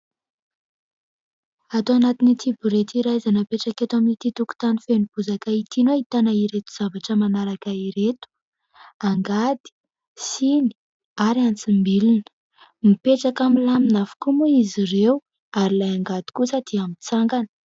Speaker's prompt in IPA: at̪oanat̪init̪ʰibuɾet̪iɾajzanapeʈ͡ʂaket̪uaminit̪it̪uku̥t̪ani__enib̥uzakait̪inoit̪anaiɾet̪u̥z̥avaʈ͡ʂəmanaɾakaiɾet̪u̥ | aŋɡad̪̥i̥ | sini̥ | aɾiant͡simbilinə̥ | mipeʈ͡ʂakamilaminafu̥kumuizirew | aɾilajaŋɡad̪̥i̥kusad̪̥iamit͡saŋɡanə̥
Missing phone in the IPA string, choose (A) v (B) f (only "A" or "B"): B